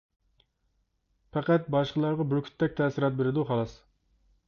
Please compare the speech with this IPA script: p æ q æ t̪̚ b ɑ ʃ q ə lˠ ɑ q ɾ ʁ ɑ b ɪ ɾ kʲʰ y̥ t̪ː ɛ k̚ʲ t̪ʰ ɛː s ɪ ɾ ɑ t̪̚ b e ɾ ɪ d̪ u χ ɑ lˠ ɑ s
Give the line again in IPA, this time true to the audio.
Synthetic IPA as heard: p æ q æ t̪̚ b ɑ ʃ q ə lˠ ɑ ɾ ʁ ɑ b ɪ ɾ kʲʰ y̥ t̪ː ɛ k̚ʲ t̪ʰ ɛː s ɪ ɾ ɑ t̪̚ b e ɾ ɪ d̪ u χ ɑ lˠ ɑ s